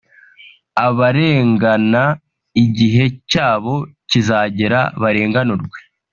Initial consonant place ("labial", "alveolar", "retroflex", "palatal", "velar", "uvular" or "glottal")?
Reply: labial